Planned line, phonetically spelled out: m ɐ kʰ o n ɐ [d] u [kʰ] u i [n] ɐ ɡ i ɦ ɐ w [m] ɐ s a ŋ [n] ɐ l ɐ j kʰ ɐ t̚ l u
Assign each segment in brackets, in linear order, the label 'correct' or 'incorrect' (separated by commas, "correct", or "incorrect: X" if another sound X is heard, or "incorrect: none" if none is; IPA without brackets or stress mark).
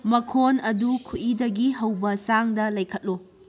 correct, correct, incorrect: d, incorrect: b, incorrect: d